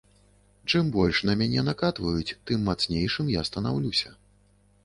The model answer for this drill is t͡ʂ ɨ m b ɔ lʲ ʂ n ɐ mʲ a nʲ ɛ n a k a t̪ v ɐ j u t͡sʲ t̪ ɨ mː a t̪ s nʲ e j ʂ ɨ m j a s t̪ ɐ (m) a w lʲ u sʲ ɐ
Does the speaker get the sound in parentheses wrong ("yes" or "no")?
yes